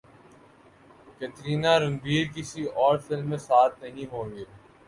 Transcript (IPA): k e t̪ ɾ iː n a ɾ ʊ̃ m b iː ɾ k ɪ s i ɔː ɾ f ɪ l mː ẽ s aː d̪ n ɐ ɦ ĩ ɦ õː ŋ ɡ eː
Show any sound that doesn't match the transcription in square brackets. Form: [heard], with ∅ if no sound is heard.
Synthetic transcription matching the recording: k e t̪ ɾ iː n a ɾ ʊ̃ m b iː ɾ k ɪ s i ɔː ɾ f ɪ l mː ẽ s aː [t̪] n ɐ ɦ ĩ ɦ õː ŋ ɡ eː